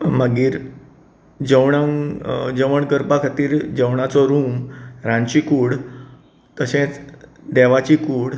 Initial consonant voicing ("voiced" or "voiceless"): voiced